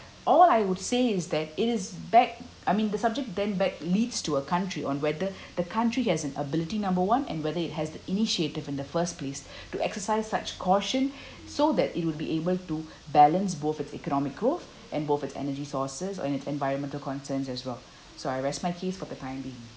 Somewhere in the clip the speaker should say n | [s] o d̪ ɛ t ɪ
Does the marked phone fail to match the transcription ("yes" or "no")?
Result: no